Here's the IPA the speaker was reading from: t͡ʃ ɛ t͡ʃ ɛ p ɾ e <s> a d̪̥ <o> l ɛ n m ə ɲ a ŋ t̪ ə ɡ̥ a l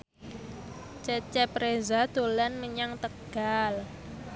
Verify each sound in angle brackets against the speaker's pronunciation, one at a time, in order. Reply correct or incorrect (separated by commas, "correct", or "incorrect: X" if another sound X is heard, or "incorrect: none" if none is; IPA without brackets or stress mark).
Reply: incorrect: z, correct